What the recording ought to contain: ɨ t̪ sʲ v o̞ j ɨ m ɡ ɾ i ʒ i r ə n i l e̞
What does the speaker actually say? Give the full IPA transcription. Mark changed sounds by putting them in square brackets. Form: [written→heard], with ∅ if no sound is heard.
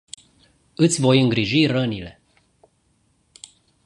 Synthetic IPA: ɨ t̪ sʲ v o̞ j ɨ [m→ŋ] ɡ ɾ i ʒ i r ə n i l e̞